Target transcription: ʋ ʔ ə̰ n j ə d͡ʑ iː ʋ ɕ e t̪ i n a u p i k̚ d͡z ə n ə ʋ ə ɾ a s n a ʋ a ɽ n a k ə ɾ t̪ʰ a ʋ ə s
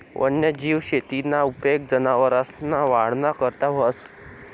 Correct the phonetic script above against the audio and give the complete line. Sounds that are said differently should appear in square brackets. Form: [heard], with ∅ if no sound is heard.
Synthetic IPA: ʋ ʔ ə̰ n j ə d͡ʑ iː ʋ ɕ e t̪ i n a u p [e] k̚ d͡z ə n [a] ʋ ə ɾ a s n a ʋ a ɽ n a k ə ɾ [t̪] a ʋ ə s